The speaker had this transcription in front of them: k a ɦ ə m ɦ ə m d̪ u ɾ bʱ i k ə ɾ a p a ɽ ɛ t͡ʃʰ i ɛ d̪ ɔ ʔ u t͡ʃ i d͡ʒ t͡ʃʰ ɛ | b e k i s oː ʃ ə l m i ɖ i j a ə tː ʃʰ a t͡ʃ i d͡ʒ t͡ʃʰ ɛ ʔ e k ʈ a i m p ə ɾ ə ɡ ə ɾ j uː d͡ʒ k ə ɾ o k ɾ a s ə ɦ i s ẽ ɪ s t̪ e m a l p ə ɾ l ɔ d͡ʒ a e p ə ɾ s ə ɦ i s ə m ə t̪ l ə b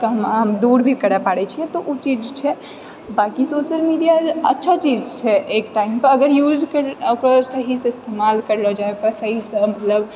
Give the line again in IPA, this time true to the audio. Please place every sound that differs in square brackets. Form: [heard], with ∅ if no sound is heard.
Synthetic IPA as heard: k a ɦ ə m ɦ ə m d̪ u ɾ bʱ i k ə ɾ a p a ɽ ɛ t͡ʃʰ i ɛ [t̪] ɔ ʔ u t͡ʃ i d͡ʒ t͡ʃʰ ɛ | b [a] k i s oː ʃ ə l m i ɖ i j a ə tː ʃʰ a t͡ʃ i d͡ʒ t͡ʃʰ ɛ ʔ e k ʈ a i m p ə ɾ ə ɡ ə ɾ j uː d͡ʒ k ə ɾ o k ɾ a s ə ɦ i s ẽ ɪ s t̪ e m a l [k] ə ɾ l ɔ d͡ʒ a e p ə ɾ s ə ɦ i s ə m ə t̪ l ə b